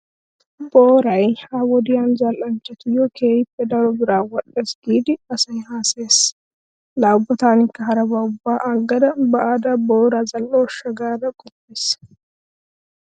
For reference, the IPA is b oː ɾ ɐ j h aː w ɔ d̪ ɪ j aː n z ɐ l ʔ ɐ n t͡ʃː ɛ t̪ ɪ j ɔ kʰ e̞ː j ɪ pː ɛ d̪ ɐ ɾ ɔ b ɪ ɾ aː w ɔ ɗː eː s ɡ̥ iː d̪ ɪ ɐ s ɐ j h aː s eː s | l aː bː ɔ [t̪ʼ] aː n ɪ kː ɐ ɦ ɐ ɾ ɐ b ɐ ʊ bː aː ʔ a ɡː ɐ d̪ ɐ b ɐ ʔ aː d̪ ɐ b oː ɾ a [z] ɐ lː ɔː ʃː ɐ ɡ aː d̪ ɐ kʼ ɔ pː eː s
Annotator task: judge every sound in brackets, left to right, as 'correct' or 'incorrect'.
incorrect, correct

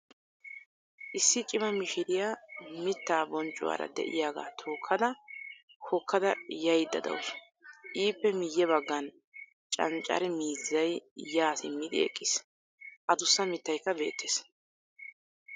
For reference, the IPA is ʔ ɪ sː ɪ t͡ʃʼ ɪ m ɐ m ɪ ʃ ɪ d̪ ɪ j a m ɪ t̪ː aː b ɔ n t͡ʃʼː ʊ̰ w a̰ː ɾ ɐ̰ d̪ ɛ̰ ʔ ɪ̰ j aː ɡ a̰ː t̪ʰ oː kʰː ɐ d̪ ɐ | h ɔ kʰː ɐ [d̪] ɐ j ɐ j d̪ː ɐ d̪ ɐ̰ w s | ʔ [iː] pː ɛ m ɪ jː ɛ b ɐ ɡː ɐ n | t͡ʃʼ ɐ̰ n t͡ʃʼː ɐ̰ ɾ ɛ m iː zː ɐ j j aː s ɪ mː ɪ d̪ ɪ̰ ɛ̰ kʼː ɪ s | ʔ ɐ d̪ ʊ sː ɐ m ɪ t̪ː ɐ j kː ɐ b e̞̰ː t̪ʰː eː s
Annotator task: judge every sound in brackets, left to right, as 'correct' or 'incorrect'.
correct, correct

